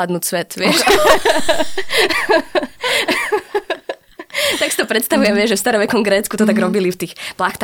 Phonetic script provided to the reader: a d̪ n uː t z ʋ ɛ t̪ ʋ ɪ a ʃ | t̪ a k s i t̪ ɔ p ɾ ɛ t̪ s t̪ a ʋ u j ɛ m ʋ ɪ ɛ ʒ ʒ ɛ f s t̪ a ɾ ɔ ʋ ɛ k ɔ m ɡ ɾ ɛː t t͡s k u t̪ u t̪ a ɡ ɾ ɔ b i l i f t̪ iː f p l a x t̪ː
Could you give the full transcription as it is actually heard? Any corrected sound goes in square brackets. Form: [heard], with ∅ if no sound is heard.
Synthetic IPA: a d̪ n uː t [s] ʋ ɛ t̪ ʋ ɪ [ɛ] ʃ | t̪ a k s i t̪ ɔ p ɾ ɛ t̪ s t̪ a ʋ u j ɛ m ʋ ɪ ɛ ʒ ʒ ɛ f s t̪ a ɾ ɔ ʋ ɛ k ɔ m ɡ ɾ ɛː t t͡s k u t̪ [ɔ] t̪ a ɡ ɾ ɔ b i l i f t̪ iː [x] p l a x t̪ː